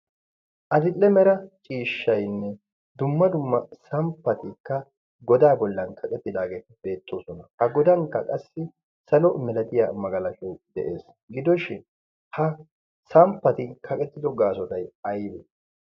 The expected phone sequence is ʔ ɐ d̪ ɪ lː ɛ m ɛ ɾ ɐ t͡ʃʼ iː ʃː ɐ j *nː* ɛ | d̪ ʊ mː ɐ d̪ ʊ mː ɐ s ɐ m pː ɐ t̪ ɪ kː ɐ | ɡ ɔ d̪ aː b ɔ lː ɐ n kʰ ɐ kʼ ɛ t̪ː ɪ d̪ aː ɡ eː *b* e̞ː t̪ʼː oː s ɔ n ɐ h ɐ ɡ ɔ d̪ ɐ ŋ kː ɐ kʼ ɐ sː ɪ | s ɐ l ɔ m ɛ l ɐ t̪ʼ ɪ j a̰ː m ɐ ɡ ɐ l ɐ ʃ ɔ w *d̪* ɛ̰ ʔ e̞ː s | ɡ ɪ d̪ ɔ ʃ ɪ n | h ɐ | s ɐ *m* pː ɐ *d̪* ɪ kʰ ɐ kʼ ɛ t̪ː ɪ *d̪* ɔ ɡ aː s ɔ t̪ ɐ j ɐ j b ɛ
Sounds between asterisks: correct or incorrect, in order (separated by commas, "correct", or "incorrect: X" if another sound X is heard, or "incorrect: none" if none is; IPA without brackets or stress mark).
correct, correct, correct, correct, incorrect: t̪, correct